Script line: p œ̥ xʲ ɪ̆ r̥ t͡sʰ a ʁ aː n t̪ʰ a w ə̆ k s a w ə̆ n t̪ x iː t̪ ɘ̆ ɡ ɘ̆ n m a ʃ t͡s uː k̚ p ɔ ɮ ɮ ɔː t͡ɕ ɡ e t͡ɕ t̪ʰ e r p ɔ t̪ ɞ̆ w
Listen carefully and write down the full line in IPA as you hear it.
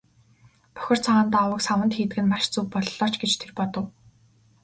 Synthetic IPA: p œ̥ xʲ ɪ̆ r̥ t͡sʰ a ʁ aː n t̪ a w ə̆ k s a w ə̆ n t̪ x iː t̪ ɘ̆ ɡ ɘ̆ n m a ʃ t͡s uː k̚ p ɔ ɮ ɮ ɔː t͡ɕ ɡ e t͡ɕ t̪ʰ e r p ɔ t̪ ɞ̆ w

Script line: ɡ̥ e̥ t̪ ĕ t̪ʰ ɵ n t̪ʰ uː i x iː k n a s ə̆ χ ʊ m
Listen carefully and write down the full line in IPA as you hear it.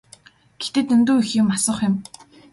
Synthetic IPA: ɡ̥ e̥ t̪ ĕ t̪ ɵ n t̪ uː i x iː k m a s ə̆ χ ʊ m

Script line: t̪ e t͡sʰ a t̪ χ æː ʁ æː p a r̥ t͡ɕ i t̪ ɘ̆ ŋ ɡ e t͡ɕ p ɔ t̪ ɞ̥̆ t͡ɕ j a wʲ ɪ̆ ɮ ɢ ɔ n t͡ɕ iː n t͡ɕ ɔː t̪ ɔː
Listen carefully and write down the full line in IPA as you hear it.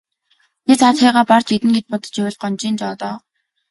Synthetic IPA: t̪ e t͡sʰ a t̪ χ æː ʁ aː p a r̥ t͡ɕ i t̪ ɘ̆ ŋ ɡ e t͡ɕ p ɔ t̪ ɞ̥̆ t͡ɕ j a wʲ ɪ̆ ɮ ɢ ɔ n t͡ɕ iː n t͡ɕ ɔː t̪ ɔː

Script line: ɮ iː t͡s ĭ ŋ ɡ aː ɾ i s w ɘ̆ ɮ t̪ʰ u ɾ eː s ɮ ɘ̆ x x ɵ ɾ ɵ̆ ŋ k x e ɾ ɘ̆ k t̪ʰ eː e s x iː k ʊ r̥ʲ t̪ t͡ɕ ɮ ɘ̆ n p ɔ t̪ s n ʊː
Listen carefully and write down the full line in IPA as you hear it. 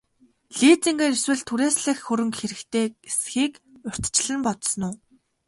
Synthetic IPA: ɮ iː t͡s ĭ ŋ ɡ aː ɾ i s w ɘ̆ ɮ t̪ʰ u ɾ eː s ɮ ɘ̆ x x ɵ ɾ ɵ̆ ŋ k x e ɾ ɘ̆ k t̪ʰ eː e s x iː k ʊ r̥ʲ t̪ t͡ɕ ɮ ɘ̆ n p ɔ t̪ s n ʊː

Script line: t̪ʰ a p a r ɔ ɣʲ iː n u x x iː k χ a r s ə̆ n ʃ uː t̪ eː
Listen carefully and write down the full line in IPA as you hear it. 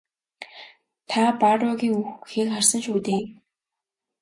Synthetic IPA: t̪ʰ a p a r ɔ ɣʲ iː ŋ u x x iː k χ a r s ə̆ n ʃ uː t̪ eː

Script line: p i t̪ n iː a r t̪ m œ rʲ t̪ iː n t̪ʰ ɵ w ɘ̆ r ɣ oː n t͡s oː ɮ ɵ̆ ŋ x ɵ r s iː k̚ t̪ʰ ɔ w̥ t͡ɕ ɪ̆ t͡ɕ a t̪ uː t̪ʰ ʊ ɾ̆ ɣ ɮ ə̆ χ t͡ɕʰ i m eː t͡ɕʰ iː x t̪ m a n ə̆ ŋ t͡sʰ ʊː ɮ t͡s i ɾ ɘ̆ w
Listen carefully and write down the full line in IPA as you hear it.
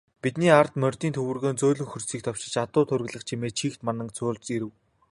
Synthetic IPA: p i t̪ n iː a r t̪ m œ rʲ t̪ iː n t̪ʰ ɵ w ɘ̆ r ɣ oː n t͡s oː ɮ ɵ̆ ŋ x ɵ r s iː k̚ t̪ʰ ɔ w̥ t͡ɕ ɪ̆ t͡ɕ a t̪ ʊː t̪ʰ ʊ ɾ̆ ɣ ɮ ə̆ χ t͡ɕʰ i m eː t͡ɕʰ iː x t̪ m a n ə̆ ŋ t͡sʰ ʊː ɮ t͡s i ɾ ɘ̆ w

